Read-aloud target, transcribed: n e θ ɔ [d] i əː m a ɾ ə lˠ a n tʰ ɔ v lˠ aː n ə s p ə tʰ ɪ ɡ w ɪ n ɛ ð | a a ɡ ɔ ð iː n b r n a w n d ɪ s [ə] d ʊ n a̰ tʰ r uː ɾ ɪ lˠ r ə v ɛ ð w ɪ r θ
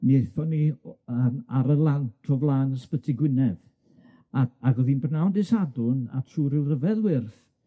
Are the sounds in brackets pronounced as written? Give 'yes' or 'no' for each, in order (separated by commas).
no, no